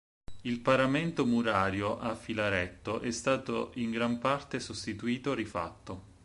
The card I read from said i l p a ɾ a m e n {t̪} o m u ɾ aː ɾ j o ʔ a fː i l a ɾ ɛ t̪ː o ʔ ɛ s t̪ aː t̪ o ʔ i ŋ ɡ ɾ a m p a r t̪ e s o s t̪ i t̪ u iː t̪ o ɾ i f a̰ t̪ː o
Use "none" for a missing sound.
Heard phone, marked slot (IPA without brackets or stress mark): t̪